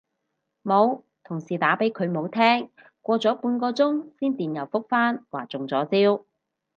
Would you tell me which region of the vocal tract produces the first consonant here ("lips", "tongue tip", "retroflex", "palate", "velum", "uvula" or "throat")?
lips